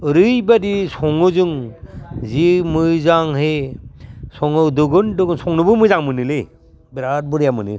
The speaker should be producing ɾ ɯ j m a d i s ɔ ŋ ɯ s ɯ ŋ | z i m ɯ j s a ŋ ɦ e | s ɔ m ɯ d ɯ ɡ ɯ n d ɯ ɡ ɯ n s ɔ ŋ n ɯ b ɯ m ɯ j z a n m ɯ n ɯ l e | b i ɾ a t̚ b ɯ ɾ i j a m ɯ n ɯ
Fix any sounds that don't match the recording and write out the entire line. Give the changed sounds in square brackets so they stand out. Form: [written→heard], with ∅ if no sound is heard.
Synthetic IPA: ɾ ɯ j [m→b] a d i s ɔ ŋ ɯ [s→z] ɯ ŋ | z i m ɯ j [s→z] a ŋ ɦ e | s ɔ [m→ŋ] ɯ d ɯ ɡ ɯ n d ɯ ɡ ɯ n s ɔ ŋ n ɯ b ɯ m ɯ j z a [n→ŋ] m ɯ n ɯ l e | b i ɾ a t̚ b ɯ ɾ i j a m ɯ n ɯ